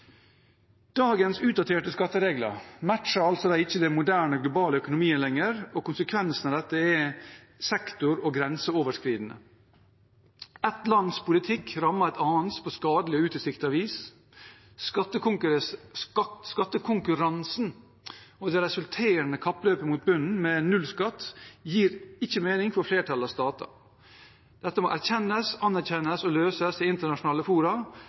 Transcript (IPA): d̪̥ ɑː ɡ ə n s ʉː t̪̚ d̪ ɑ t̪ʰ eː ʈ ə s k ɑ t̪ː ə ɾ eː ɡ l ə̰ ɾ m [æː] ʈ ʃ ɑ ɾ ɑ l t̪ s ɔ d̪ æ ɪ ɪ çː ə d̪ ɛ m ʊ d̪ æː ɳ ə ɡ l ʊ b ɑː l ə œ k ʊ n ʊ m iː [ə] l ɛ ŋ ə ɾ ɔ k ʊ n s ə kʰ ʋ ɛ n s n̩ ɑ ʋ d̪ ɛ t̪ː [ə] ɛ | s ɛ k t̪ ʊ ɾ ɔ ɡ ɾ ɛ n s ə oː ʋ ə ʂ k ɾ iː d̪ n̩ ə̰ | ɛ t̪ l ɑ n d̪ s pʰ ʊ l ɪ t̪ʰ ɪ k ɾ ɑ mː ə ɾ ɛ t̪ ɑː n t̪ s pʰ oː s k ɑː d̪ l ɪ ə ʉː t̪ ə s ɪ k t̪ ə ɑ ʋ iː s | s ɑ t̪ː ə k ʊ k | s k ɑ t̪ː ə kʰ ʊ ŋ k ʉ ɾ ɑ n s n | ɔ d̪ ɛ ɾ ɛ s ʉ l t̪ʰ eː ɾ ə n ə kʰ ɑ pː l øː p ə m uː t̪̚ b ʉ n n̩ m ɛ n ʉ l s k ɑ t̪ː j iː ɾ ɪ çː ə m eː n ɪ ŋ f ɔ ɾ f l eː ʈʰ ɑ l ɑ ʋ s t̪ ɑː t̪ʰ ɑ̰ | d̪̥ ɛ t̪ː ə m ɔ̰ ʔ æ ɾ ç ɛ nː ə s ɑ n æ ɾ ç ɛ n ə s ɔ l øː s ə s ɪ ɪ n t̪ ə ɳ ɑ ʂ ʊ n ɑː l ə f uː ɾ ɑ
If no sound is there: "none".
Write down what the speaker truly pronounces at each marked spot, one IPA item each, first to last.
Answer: æ, ə, ə

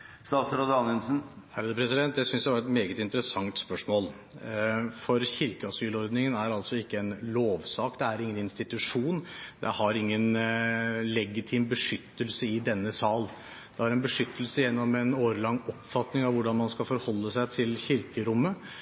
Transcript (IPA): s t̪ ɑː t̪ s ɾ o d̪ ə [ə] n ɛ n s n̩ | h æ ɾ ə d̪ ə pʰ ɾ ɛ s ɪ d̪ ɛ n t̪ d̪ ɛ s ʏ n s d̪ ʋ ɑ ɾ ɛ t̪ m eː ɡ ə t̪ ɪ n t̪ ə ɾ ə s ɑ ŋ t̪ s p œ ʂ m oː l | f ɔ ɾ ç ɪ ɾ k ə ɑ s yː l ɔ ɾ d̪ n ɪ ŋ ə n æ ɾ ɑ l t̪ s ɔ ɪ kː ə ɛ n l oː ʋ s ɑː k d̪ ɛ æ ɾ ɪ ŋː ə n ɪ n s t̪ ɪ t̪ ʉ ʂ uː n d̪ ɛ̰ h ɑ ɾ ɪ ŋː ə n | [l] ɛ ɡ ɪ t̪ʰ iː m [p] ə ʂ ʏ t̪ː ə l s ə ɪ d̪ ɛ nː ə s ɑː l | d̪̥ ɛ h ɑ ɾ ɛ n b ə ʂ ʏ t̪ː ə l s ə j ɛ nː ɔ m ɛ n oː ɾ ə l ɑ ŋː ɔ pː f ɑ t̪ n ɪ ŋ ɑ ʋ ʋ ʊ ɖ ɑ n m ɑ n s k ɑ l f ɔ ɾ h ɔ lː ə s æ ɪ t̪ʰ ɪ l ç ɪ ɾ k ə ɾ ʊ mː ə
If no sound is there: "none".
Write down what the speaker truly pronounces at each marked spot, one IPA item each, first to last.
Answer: ɑ, l, b

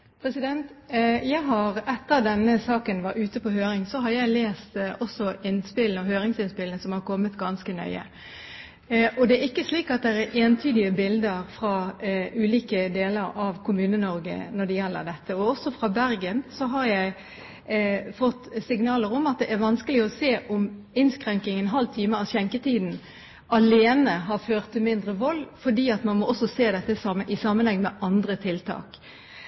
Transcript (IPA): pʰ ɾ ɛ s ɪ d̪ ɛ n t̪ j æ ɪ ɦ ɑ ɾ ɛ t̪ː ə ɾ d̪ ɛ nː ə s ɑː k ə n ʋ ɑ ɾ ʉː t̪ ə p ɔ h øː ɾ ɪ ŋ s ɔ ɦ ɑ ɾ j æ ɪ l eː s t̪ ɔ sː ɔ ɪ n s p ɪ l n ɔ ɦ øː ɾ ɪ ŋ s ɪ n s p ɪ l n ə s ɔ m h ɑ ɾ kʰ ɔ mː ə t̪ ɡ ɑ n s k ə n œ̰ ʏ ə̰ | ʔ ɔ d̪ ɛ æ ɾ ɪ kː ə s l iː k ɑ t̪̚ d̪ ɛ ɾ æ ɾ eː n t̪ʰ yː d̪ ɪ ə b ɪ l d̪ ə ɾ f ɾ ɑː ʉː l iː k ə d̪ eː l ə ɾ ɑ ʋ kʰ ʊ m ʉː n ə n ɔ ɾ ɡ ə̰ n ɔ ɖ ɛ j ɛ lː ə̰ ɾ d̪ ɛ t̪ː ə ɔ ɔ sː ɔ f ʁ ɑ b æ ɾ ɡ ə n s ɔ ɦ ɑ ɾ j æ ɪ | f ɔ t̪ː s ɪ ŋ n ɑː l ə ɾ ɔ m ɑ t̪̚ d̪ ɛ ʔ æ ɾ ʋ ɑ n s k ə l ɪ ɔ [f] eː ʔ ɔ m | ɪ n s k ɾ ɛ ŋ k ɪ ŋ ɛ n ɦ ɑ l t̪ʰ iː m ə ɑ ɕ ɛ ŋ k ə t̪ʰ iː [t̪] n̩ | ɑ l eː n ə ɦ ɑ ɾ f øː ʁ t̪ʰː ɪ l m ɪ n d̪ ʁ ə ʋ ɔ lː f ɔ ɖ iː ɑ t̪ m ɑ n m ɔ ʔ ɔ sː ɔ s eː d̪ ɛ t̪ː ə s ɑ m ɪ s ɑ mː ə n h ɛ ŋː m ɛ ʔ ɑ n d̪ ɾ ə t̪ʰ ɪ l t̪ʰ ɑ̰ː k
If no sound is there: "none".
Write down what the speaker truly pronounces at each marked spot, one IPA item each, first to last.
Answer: s, d̪

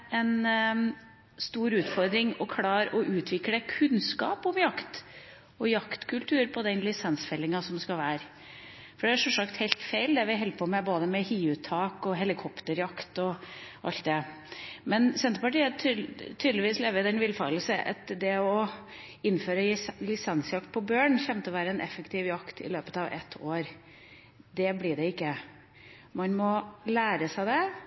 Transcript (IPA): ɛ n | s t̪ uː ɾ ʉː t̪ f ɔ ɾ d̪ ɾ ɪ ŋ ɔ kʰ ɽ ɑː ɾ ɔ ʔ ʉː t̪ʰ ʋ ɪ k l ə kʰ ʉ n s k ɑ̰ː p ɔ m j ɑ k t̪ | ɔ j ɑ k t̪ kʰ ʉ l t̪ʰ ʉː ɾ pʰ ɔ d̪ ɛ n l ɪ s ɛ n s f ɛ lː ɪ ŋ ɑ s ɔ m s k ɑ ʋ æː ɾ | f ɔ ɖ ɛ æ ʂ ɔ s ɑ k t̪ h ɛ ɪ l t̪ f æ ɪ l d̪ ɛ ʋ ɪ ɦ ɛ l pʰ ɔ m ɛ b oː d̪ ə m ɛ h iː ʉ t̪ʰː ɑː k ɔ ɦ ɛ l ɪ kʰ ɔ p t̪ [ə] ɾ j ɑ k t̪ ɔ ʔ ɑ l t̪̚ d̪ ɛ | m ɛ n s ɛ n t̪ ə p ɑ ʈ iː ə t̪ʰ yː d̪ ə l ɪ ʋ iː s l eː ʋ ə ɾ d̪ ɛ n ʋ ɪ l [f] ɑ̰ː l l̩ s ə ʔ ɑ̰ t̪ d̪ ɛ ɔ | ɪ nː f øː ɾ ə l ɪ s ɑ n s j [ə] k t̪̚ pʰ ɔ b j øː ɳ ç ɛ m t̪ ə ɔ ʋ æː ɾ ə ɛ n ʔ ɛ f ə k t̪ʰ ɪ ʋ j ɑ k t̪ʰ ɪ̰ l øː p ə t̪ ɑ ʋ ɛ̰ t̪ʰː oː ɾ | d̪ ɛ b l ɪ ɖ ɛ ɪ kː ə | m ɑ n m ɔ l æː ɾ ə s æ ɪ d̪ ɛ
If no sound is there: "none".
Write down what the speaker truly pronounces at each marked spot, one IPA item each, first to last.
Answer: ə, f, ɑ

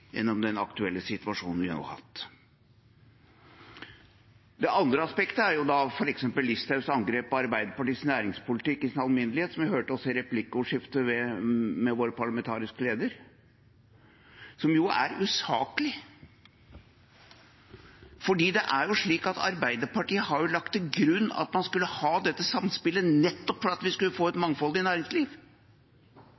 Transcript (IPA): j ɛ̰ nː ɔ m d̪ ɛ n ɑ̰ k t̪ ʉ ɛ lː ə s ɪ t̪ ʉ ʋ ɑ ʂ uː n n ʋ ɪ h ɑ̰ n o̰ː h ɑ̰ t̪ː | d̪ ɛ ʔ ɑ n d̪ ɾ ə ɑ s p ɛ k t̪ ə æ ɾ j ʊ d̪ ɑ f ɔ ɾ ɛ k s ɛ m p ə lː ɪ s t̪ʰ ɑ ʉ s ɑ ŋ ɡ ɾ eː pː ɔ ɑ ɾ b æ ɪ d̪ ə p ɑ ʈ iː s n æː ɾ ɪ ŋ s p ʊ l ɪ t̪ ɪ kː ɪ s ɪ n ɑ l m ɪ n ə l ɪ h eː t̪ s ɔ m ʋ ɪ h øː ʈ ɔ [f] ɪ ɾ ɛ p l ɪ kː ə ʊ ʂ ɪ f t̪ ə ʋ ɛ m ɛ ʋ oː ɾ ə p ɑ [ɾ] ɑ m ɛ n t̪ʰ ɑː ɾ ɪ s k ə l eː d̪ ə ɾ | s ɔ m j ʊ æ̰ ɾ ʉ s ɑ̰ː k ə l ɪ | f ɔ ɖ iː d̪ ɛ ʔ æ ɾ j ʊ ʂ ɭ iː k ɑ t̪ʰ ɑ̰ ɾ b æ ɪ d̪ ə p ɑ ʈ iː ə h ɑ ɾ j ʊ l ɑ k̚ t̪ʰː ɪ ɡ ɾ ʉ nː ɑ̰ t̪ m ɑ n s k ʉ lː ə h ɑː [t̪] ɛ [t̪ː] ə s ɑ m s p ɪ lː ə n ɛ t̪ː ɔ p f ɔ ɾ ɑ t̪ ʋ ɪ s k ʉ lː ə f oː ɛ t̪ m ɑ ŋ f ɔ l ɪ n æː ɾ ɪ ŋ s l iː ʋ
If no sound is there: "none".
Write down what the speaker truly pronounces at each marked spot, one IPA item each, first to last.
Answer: s, ɭ, d̪, t̪ː

